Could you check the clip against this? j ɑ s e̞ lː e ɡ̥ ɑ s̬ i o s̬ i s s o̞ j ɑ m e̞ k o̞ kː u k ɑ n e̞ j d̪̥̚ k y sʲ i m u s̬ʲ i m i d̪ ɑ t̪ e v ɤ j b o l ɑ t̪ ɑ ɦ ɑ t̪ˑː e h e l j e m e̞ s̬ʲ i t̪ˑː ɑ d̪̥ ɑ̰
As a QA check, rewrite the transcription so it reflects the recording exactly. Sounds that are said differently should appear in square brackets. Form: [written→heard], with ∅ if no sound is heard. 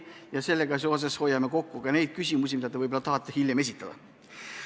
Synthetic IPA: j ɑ s e̞ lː e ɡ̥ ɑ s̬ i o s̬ [i→e] s [s→h] o̞ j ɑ m e̞ k o̞ kː u k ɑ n e̞ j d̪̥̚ k y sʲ i m u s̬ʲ i m i d̪ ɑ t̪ e v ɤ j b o l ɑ t̪ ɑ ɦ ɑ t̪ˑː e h [e→i] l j e m e̞ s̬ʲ i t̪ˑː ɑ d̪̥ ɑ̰

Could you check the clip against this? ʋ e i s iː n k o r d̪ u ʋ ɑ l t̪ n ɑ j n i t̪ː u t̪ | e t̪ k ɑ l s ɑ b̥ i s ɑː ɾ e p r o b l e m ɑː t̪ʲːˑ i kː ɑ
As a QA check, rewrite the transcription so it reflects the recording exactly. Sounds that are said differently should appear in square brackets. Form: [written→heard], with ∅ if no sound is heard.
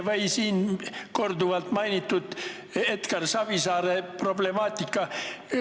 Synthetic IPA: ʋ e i s iː n k o r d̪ u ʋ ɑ l t̪ [n→m] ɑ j n i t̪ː u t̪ | e t̪ k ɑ [l→r] s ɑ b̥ i s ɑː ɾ e p r o b l e m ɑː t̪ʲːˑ i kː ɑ

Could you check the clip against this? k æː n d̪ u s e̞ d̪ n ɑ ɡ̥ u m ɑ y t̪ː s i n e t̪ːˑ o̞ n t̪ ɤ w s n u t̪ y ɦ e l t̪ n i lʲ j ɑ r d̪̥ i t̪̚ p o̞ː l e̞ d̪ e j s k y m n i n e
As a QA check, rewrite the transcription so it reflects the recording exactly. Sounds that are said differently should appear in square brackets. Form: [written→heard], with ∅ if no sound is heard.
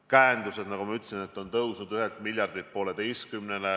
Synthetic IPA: k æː n d̪ u s e̞ d̪ n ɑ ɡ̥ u m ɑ y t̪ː s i n e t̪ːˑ o̞ n t̪ ɤ w s n u [t̪→d̪] y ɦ e l t̪ [n→m] i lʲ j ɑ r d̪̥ i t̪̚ p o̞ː l e̞ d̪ e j s k y m n [i→e] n e

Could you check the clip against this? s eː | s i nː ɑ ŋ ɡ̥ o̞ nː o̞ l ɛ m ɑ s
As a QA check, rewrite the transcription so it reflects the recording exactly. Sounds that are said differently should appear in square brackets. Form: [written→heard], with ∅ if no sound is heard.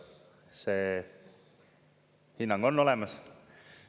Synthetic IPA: s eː | [s→h] i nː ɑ ŋ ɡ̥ o̞ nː o̞ l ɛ m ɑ s

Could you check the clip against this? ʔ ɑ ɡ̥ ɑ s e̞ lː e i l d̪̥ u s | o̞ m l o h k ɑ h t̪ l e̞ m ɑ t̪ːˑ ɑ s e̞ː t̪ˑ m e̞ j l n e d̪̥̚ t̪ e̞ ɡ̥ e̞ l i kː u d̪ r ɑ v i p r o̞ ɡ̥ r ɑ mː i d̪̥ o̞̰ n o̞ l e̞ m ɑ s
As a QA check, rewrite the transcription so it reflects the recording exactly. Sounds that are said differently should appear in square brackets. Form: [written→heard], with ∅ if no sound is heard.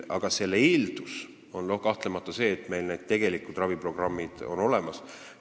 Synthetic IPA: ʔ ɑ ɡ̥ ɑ s e̞ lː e i l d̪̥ u s | o̞ [m→n] l o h k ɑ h t̪ l e̞ m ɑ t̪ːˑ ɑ s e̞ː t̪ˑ m e̞ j l n e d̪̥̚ t̪ e̞ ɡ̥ e̞ l i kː u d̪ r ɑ v i p r o̞ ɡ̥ r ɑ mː i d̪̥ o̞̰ n o̞ l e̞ m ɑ s

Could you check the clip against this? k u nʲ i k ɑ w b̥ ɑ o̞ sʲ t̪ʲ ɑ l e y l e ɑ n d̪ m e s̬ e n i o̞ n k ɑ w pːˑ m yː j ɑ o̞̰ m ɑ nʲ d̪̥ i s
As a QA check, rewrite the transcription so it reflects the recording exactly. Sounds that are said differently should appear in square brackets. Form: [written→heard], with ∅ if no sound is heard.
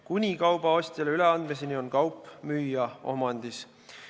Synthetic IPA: k u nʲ i k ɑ w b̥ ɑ o̞ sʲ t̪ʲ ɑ l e y l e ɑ n d̪ m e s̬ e n i o̞ n k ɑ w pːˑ m yː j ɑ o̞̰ m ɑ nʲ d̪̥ i s

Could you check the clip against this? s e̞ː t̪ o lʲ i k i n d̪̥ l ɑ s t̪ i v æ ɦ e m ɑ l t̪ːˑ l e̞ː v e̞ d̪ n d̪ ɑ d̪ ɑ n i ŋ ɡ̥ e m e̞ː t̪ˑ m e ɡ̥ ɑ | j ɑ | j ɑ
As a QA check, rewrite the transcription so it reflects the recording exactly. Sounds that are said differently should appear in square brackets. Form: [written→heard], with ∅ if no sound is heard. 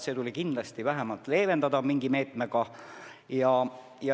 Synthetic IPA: s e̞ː t̪ [o→u] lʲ i k i n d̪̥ l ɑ s t̪ i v æ ɦ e m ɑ l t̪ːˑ l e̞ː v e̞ [d̪→∅] n d̪ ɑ d̪ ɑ [n→m] i ŋ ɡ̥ [e→i] m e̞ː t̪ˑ m e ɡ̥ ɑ | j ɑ | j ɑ

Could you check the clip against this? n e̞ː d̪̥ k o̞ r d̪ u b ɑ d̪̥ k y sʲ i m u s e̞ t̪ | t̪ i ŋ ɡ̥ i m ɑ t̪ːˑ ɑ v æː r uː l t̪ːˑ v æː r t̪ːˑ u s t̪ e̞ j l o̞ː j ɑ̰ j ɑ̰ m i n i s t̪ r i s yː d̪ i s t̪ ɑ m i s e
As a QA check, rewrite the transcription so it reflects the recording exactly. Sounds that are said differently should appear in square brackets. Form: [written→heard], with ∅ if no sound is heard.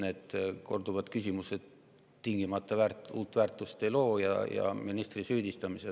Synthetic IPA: n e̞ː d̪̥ k o̞ r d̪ u [b→v] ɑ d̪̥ k y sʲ i m u s e̞ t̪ | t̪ i ŋ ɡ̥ i m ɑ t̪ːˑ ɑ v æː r uː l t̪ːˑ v æː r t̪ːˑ u s t̪ e̞ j l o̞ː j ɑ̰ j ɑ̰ m i n i s t̪ r i s yː d̪ i s t̪ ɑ m i s e

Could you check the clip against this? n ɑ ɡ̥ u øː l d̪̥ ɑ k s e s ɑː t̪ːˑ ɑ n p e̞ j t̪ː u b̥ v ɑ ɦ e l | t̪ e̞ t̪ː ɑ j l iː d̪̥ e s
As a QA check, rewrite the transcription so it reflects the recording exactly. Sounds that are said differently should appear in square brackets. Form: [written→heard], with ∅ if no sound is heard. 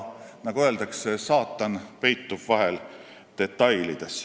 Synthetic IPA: n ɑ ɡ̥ u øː l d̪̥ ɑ k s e s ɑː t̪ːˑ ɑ n p e̞ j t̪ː u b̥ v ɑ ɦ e l | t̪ e̞ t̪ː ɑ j l [iː→i] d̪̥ e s

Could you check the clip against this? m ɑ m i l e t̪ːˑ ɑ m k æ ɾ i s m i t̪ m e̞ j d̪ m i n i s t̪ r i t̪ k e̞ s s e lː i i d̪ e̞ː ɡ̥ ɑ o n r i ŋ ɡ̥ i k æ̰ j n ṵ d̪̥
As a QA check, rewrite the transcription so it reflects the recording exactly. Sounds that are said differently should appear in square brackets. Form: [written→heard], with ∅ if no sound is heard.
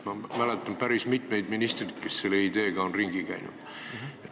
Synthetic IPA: m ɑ m [i→æ] l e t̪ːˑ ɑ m [k→p] æ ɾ i s m i t̪ m e̞ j d̪ m i n i s t̪ r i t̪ k e̞ s s e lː [i→e] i d̪ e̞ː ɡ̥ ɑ o n r i ŋ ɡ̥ i k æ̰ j n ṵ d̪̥

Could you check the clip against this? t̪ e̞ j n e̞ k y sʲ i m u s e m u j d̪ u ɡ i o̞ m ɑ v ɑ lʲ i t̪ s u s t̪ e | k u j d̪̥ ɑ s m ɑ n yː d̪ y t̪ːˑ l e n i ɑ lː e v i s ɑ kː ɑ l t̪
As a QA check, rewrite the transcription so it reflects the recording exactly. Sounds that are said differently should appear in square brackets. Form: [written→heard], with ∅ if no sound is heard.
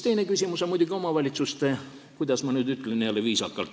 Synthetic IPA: t̪ e̞ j n e̞ k y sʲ i m u s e m u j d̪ u ɡ i o̞ m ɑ v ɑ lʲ i t̪ s u s t̪ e | k u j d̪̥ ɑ s m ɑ n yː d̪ y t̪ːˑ l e n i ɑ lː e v [i→iː] s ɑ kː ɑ l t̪

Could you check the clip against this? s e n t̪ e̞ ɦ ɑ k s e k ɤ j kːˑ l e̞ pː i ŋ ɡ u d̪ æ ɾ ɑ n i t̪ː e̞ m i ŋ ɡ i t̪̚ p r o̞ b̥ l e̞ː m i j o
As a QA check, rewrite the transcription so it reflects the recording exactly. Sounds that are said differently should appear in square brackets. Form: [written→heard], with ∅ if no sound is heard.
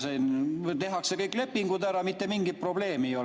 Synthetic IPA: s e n t̪ e̞ ɦ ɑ k s e k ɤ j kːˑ l e̞ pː i ŋ ɡ u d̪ æ ɾ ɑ [n→m] i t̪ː e̞ m i ŋ ɡ i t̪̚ p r o̞ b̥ l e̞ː m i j o

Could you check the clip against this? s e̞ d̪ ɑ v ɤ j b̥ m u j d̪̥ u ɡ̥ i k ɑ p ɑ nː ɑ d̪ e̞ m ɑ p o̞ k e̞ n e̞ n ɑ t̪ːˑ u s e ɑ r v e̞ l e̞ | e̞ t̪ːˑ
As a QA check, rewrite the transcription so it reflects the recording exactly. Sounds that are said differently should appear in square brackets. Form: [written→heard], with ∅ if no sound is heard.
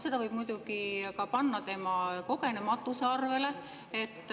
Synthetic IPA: s e̞ d̪ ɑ v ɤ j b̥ m u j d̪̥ u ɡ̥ i k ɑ p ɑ nː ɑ [d̪→t̪] e̞ m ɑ [p→k] o̞ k e̞ n e̞ [n→m] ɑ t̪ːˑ u s e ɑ r v e̞ l e̞ | e̞ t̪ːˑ

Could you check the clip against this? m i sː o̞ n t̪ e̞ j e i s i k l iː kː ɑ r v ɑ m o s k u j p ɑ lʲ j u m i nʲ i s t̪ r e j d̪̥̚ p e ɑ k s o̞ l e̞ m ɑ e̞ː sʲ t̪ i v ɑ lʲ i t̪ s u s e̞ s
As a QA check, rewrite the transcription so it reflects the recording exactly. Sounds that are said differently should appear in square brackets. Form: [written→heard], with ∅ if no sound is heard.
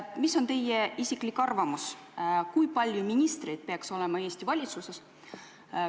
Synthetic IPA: m i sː o̞ n t̪ e̞ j e i s i k l [iː→i] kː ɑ r v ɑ m [o→u] s k u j p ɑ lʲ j u m i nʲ i s t̪ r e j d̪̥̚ p e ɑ k s o̞ l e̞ m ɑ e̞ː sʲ t̪ i v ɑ lʲ i t̪ s u s e̞ s

